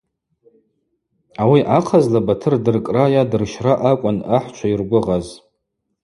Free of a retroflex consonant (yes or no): yes